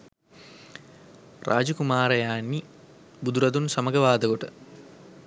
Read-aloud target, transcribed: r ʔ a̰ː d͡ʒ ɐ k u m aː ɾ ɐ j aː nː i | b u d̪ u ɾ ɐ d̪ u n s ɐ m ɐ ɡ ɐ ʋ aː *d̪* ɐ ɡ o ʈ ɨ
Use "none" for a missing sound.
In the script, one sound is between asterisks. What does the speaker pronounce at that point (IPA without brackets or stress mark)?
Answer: d̪